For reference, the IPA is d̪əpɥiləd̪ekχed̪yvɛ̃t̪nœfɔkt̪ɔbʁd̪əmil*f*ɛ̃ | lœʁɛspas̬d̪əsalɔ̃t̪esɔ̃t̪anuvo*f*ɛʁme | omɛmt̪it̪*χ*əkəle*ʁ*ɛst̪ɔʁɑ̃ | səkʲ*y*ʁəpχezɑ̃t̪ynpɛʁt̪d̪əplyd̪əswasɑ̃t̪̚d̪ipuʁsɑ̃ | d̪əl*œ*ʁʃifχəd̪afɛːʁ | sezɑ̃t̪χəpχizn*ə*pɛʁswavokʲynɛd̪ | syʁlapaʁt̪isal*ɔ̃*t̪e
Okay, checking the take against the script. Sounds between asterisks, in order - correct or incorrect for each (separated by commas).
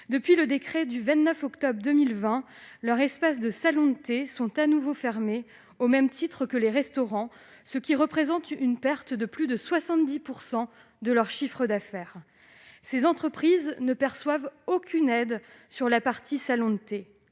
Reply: incorrect, correct, correct, correct, incorrect, correct, correct, correct